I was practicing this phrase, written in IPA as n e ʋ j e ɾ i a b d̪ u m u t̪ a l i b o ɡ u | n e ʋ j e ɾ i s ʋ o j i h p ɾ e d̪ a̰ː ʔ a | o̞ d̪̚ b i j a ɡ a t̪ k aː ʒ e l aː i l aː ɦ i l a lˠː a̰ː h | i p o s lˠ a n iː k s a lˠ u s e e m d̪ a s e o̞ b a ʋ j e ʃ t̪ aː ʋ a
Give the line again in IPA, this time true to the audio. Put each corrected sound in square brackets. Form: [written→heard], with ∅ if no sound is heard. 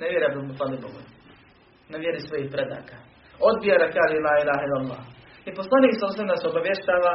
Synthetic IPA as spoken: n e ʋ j e ɾ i a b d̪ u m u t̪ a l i b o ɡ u | n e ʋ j e ɾ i s ʋ o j i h p ɾ e d̪ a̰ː [ʔ→k] a | o̞ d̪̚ b i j a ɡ a [t̪→∅] k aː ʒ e l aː i l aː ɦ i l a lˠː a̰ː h | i p o s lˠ a n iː k s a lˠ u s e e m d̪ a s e o̞ b a ʋ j e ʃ t̪ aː ʋ a